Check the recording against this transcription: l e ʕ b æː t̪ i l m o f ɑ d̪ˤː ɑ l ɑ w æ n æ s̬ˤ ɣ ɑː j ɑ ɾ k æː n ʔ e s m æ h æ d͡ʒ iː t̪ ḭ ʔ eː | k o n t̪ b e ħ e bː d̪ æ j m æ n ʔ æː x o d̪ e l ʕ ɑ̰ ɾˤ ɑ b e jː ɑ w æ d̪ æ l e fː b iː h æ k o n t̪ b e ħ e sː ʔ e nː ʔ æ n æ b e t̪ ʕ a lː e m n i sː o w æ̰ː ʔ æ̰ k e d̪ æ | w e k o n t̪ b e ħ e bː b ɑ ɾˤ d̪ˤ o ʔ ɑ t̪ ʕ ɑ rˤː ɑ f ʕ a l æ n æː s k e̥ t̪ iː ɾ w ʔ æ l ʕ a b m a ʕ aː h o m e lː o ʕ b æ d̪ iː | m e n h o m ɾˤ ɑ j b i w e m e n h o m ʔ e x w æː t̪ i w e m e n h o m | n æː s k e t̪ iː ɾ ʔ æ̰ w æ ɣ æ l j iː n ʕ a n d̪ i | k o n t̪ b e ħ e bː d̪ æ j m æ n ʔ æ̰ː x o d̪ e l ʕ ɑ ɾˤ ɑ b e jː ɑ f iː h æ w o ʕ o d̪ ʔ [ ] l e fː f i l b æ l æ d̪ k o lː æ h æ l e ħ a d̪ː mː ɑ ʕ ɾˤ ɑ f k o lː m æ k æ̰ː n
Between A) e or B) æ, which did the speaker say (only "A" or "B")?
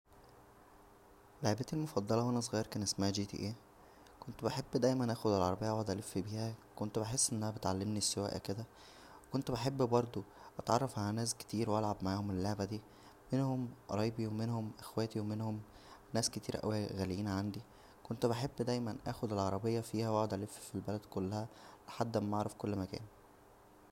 B